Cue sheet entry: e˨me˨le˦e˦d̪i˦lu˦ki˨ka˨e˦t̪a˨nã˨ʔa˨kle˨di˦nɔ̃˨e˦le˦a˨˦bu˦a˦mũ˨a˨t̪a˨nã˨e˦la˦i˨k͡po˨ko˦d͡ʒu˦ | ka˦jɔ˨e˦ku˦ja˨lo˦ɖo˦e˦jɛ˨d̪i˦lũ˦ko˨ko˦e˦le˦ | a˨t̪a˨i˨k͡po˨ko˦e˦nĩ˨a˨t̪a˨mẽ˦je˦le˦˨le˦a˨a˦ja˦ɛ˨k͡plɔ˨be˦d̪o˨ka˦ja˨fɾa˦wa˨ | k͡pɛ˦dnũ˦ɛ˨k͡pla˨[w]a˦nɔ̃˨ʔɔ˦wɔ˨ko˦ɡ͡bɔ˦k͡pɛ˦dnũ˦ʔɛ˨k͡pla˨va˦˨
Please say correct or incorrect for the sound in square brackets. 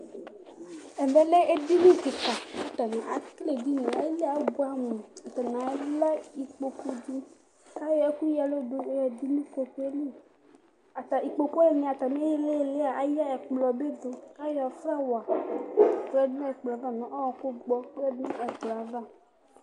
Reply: incorrect